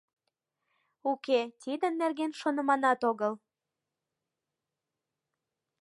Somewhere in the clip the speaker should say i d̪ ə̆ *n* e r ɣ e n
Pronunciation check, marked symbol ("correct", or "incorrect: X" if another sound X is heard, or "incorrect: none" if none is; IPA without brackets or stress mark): incorrect: nː